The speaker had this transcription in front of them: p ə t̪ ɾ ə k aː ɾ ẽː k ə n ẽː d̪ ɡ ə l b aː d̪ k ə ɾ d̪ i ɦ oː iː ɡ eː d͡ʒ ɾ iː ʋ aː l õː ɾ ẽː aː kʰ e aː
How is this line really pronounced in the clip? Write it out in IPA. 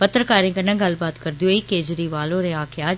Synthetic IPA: p ə t̪ ɾ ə k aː ɾ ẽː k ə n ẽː ɡ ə l b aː t̪ k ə ɾ d̪ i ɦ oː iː k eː d͡ʒ ɾ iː ʋ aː l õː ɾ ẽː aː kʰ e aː